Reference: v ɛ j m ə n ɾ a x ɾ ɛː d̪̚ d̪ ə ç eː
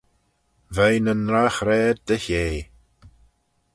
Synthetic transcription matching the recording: v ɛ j n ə n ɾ a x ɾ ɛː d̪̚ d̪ ə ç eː